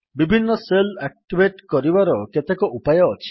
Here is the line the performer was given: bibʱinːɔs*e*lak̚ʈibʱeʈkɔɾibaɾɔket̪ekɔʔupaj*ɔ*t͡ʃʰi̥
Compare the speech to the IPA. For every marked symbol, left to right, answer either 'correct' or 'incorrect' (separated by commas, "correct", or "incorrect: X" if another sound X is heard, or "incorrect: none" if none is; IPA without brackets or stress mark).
correct, incorrect: ɔː